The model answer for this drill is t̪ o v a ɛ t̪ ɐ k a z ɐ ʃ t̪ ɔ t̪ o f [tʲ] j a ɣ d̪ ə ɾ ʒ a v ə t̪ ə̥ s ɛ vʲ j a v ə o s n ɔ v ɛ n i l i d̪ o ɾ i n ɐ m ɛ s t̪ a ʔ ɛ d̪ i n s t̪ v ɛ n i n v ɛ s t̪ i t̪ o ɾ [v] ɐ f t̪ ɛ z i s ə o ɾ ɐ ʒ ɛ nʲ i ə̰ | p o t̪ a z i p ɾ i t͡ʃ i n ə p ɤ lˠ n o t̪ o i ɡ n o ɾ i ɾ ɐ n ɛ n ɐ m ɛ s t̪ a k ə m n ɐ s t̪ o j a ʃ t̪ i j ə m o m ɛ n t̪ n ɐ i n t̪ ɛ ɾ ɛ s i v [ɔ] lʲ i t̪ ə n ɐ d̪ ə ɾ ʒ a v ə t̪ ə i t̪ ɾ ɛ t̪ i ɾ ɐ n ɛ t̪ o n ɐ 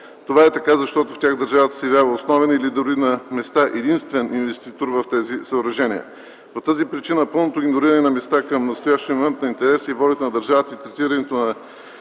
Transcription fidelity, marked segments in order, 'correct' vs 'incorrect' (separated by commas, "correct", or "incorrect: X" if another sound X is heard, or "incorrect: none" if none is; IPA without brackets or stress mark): correct, correct, correct